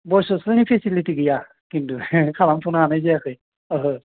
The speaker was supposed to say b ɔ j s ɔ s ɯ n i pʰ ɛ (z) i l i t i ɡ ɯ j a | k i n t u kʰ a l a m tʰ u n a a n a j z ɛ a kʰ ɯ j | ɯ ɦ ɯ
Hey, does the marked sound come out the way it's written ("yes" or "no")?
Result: no